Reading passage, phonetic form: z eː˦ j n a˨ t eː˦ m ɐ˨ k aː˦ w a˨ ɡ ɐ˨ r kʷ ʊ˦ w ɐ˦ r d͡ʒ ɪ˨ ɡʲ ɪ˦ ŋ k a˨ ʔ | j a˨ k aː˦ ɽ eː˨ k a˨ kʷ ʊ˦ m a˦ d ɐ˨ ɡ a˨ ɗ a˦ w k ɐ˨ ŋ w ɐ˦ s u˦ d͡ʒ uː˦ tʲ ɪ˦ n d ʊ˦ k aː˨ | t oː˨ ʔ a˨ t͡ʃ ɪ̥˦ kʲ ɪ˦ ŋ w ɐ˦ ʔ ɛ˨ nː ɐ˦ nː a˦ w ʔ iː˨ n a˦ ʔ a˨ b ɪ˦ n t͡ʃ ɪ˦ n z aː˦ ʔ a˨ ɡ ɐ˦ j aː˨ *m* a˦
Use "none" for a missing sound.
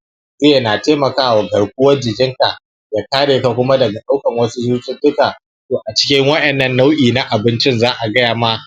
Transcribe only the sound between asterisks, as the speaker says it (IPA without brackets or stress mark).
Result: m